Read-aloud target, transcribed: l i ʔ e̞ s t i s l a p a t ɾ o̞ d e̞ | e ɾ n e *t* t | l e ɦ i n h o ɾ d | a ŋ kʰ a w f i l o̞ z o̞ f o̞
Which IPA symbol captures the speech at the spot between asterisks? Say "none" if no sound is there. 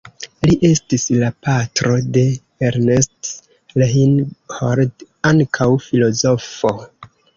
s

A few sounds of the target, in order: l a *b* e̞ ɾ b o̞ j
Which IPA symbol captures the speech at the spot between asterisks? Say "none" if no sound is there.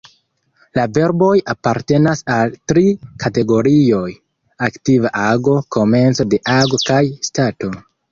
v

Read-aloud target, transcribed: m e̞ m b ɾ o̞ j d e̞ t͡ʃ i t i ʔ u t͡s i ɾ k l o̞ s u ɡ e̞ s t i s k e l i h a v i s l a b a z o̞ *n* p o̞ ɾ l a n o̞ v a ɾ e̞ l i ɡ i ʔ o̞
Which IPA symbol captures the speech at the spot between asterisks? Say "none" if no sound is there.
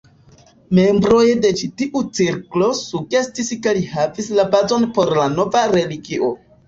n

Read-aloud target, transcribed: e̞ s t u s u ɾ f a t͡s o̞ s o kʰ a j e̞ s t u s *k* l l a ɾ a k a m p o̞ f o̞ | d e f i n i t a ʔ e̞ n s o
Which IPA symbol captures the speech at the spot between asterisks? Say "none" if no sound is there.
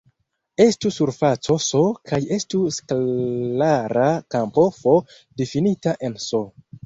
k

